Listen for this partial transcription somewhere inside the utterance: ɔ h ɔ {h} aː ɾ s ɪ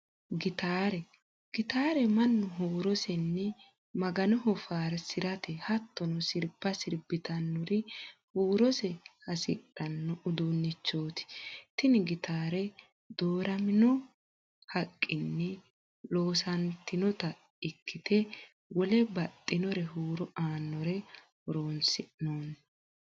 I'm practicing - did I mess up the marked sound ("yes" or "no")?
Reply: yes